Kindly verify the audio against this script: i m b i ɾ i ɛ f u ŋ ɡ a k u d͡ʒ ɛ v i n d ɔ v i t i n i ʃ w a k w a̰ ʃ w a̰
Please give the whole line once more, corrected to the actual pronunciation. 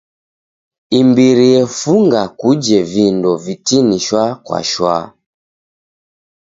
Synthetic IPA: i m b i ɾ i ɛ f u ŋ ɡ a k u d͡ʒ ɛ v i n d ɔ v i t i n i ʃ w a k w a̰ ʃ w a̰